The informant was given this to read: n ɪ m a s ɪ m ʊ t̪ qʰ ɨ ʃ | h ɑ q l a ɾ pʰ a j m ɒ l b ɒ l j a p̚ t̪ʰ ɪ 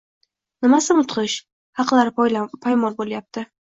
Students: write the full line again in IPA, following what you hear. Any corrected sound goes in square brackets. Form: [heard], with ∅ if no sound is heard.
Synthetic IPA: n ɪ m a s ɪ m ʊ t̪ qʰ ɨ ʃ | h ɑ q l a ɾ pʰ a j m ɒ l b [o] l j a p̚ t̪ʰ ɪ

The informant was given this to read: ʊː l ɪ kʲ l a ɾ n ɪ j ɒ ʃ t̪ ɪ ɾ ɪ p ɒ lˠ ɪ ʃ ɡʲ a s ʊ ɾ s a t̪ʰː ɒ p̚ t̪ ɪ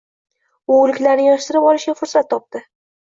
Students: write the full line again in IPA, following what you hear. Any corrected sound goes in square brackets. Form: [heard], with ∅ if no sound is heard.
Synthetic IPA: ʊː l ɪ kʲ l a ɾ n ɪ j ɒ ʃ t̪ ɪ ɾ ɪ p ɒ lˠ ɪ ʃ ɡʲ a [f] ʊ ɾ s a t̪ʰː ɒ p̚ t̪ ɪ

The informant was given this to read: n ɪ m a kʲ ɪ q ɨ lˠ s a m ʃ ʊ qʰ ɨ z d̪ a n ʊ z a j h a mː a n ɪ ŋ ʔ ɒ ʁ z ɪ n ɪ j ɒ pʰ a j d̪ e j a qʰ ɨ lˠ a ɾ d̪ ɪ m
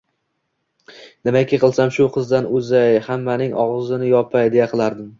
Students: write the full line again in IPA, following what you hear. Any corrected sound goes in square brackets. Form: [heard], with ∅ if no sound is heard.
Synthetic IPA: n ɪ m a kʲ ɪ q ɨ lˠ s a m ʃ ʊ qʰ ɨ z d̪ a n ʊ z a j h a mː a n ɪ ŋ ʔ ɒ ʁ z ɪ n ɪ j ɒ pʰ a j d̪ e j a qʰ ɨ lˠ a ɾ d̪ ɪ m

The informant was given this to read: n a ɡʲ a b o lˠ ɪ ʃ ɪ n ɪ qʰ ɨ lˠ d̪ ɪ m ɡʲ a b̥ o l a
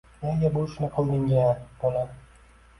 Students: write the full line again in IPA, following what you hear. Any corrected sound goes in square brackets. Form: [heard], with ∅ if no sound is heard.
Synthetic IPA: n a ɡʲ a b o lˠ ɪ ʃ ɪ n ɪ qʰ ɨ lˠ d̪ ɪ [ŋ] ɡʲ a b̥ o l a

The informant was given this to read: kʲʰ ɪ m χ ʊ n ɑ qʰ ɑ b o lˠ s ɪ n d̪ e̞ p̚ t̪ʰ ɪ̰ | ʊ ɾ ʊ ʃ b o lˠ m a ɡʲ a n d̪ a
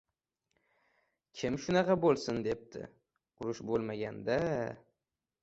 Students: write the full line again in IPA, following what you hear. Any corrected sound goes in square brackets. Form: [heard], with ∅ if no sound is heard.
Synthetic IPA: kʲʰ ɪ m [ʃ] ʊ n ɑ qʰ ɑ b o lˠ s ɪ n d̪ e̞ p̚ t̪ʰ ɪ̰ | ʊ ɾ ʊ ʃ b o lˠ m a ɡʲ a n d̪ a

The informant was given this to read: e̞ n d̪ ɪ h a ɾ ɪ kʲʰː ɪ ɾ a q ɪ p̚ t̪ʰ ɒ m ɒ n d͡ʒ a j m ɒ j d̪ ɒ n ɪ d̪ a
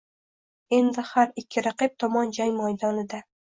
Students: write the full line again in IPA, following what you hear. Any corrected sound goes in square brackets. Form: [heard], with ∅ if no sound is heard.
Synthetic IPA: e̞ n d̪ ɪ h a ɾ ɪ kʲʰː ɪ ɾ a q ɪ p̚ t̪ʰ ɒ m ɒ n d͡ʒ a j m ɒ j d̪ ɒ n ɪ d̪ a

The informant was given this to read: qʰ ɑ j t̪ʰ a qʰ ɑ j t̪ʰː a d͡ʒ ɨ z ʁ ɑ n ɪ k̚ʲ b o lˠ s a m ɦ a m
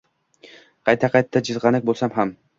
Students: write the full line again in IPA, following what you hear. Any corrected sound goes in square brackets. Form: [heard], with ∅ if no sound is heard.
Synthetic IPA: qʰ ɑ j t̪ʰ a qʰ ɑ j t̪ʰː a d͡ʒ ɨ z ʁ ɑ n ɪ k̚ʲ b o lˠ s a m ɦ a m

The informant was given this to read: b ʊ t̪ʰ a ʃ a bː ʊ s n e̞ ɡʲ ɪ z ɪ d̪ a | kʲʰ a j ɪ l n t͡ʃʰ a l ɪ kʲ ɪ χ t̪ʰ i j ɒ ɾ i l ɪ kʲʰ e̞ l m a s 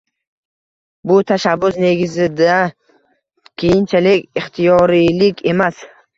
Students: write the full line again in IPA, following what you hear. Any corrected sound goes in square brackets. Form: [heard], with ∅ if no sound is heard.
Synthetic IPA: b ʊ t̪ʰ a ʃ a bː ʊ s n e̞ ɡʲ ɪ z ɪ d̪ a | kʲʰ [e] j ɪ [∅] n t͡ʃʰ a l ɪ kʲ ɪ χ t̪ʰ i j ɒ ɾ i l ɪ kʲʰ e̞ [∅] m a s

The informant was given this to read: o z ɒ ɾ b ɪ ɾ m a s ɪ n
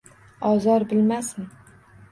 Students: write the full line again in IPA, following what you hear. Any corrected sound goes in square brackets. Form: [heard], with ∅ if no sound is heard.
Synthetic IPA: [ɒ] z ɒ ɾ b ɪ [l] m a s ɪ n

